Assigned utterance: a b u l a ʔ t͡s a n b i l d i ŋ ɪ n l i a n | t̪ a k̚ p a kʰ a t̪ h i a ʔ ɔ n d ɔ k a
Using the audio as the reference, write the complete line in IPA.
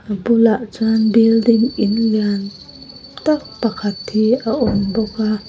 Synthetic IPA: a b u l a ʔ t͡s a n b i l d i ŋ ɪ n l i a n | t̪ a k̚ p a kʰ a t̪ h i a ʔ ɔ n b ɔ k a